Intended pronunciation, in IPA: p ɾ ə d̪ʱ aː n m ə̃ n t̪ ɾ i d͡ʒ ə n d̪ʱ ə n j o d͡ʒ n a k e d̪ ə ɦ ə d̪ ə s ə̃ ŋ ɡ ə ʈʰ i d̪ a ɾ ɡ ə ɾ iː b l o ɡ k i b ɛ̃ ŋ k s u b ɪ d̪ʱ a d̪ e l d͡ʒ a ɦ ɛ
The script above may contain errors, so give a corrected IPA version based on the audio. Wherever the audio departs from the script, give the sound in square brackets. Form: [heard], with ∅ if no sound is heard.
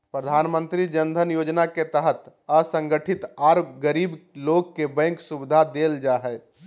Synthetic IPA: p ɾ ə d̪ʱ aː n m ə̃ n t̪ ɾ i d͡ʒ ə n d̪ʱ ə n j o d͡ʒ n a k e [t̪] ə ɦ ə [t̪] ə s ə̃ ŋ ɡ ə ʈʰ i [t̪] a ɾ ɡ ə ɾ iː b l o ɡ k [e] b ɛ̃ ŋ k s u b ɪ d̪ʱ a d̪ e l d͡ʒ a ɦ ɛ